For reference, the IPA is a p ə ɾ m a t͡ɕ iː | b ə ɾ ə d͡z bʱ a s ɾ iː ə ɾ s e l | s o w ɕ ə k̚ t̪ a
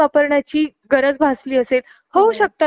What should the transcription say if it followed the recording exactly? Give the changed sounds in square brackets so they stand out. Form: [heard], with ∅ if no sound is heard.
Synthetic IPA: a p ə ɾ [ɳ] a t͡ɕ iː | [ɡ] ə ɾ ə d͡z bʱ a s [l] iː ə [∅] s e l | [h] o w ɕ ə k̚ t̪ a